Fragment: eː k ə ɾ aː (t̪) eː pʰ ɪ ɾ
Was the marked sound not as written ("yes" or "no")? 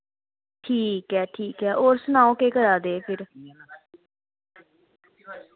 yes